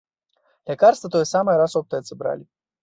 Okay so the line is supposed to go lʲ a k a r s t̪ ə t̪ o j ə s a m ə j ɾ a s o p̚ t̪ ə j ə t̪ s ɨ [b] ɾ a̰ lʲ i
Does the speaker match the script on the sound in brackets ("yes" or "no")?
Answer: yes